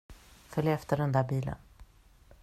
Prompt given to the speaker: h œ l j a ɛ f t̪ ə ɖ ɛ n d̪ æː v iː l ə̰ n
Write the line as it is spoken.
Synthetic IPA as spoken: f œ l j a ɛ f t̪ ə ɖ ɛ n d̪ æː b iː l ə̰ n